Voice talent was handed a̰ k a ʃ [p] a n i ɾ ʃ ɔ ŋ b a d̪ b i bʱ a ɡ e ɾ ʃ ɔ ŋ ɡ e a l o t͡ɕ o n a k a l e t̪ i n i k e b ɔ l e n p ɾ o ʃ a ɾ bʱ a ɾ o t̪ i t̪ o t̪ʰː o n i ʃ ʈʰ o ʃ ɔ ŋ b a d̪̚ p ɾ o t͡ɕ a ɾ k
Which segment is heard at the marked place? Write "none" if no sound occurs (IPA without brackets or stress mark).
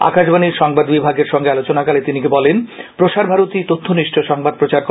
b